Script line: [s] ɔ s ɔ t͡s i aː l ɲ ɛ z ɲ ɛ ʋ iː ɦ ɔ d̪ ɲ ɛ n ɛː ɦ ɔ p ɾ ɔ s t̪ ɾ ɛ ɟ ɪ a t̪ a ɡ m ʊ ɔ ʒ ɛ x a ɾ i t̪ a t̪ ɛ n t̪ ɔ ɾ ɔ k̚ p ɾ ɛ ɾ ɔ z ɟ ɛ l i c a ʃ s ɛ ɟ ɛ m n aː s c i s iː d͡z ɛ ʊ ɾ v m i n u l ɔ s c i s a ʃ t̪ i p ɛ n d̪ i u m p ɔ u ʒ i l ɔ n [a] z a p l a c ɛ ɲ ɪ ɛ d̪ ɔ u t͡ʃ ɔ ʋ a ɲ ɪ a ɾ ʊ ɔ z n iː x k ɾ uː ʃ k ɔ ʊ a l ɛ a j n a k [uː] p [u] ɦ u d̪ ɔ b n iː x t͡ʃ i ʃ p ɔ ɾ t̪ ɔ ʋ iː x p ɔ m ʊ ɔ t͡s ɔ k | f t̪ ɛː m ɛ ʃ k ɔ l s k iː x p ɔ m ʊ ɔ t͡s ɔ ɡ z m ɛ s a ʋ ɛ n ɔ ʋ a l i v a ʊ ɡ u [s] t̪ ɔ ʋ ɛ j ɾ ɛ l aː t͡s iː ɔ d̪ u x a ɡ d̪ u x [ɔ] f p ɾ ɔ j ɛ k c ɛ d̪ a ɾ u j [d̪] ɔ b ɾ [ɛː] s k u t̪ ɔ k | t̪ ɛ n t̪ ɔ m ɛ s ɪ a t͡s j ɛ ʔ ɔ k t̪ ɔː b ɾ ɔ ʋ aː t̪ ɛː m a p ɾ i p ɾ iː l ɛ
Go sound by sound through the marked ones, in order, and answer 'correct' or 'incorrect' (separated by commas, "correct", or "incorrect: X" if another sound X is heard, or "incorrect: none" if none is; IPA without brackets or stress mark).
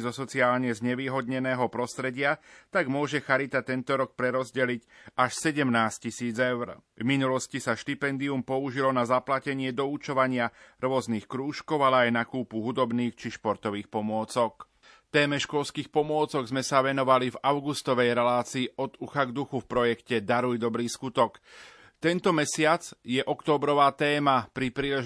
incorrect: z, correct, correct, correct, correct, incorrect: u, correct, incorrect: iː